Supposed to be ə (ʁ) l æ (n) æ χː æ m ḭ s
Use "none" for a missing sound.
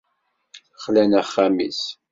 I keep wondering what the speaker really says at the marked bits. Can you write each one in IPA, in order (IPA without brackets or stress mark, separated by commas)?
χ, n